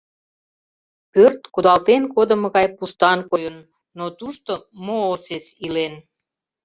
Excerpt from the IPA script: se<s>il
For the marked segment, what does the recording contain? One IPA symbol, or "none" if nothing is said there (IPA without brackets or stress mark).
s